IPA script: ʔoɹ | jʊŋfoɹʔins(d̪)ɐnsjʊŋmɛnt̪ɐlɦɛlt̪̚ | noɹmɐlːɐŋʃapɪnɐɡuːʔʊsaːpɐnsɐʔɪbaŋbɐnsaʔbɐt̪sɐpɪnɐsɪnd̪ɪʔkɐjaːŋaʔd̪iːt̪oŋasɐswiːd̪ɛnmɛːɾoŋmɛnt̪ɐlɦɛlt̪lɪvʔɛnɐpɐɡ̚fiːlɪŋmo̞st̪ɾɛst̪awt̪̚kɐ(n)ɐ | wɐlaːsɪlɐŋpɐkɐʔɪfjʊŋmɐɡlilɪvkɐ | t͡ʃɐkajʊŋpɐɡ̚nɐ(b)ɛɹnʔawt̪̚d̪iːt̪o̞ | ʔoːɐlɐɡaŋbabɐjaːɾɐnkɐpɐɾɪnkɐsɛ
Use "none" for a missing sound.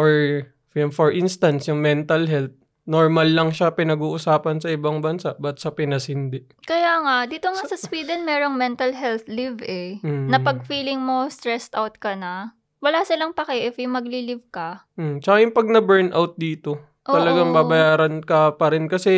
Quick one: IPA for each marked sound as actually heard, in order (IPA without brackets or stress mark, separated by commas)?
t̪, n, b